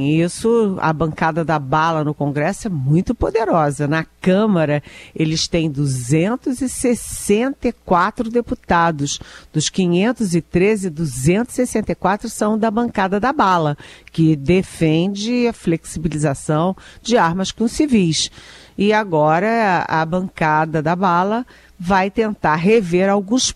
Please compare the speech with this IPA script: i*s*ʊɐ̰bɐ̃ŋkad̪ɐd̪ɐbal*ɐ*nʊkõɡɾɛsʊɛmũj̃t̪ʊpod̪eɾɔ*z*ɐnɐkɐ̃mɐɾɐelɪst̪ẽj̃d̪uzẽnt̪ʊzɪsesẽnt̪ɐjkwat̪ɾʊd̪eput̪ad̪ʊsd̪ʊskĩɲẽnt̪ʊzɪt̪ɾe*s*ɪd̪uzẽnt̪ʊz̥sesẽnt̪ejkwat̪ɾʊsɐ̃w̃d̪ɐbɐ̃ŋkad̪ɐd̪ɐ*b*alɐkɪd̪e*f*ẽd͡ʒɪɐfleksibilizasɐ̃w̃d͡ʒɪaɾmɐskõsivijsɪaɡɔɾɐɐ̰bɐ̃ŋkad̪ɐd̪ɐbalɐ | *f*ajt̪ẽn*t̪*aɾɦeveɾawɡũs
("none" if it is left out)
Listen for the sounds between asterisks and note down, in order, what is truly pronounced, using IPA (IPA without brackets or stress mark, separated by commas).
s, ɐ, z, z, b, f, v, t̪